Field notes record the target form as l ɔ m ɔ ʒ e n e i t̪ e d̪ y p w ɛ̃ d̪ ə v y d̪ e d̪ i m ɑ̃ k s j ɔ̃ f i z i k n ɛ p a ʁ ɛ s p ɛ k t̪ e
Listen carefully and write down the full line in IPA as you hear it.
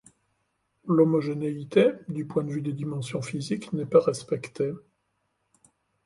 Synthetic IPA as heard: l ɔ m ɔ ʒ e n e i t̪ e d̪ y p w ɛ̃ d̪ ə v y d̪ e d̪ i m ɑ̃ s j ɔ̃ f i z i k n ɛ p a ʁ ɛ s p ɛ k t̪ e